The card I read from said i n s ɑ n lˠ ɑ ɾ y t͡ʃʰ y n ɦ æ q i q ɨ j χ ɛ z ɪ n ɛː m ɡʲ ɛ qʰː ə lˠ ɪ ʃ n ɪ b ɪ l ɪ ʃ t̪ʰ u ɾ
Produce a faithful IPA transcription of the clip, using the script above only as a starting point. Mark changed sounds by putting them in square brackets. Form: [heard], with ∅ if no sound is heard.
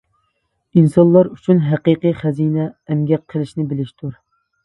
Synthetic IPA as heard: i n s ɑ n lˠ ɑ ɾ y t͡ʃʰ y n ɦ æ q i q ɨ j χ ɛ z [i] n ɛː m ɡʲ ɛ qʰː ə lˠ ɪ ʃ n ɪ b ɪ l ɪ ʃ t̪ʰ u ɾ